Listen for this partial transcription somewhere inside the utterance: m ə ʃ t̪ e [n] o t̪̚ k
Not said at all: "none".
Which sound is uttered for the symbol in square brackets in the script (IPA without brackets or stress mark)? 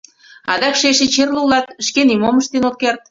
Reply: n